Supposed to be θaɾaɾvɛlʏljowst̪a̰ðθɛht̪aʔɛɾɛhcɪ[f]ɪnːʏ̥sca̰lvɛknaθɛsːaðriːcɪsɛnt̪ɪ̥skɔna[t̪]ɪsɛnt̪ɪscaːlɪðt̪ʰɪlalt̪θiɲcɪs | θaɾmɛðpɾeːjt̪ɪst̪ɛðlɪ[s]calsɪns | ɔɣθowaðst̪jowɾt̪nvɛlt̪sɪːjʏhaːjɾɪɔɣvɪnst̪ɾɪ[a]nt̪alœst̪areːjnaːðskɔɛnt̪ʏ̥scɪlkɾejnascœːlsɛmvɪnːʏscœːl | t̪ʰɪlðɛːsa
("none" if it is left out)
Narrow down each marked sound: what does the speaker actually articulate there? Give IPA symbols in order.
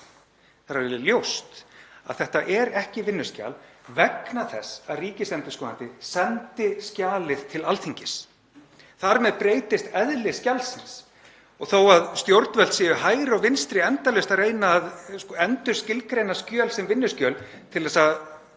v, t̪, s, ɛ

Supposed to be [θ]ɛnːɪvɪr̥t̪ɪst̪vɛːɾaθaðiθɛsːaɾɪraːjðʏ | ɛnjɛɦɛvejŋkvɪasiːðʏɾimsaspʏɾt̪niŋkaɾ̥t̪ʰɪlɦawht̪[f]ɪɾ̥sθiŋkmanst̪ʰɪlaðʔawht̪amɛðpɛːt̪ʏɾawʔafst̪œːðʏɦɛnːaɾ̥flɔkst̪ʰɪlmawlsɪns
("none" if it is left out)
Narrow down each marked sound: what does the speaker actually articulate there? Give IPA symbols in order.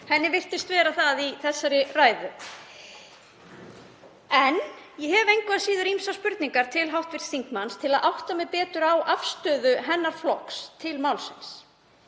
h, v

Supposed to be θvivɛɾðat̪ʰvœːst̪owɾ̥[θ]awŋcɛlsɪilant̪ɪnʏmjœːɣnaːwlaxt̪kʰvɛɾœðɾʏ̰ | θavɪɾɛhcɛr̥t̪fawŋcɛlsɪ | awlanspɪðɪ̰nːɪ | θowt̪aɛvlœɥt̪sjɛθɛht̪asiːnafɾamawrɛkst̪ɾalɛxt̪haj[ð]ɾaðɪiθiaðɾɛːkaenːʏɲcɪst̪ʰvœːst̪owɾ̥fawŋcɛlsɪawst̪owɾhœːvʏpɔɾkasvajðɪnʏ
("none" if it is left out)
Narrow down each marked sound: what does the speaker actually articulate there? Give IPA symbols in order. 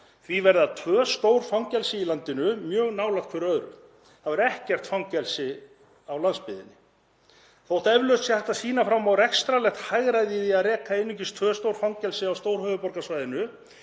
f, ɣ

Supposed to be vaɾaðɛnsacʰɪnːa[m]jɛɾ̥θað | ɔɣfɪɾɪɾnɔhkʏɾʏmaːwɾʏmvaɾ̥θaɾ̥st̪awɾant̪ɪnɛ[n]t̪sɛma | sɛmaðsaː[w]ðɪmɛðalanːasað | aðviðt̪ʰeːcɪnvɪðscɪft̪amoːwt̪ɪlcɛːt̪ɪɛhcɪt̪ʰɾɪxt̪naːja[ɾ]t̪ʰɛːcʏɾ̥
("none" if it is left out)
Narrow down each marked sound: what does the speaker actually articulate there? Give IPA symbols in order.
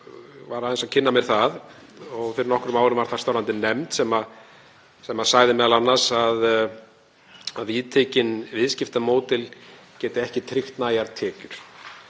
m, m, ɣ, ɾ

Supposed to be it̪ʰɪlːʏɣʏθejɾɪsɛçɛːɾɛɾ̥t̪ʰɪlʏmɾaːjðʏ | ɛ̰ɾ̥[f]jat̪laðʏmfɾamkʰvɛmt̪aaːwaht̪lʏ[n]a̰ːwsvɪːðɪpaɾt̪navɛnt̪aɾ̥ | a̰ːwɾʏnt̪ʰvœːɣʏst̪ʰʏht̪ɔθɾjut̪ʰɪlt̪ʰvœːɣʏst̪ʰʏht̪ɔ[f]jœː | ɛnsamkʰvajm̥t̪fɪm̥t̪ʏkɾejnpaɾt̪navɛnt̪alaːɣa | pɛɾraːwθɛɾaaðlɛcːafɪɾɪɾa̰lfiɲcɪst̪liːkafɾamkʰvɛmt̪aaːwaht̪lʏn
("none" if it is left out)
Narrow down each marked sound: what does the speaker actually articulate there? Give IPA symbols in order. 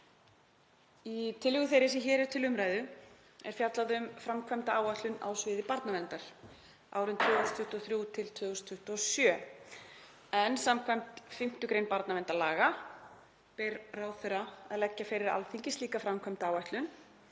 f, n, s

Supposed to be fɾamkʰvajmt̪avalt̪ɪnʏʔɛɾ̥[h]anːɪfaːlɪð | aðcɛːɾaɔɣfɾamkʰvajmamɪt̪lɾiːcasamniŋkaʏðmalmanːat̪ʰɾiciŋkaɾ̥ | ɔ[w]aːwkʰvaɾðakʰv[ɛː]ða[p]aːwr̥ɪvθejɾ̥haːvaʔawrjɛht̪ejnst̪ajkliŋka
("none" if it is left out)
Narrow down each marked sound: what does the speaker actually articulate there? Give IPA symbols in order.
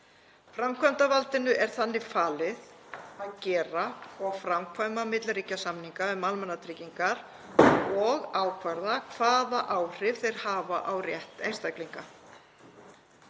θ, ɣ, aː, ʔ

